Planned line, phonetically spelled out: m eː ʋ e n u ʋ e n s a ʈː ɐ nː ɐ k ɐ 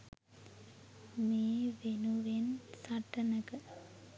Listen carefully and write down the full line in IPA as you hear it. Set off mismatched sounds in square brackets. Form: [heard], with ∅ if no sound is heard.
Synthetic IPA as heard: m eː ʋ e n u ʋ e n s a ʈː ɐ [n] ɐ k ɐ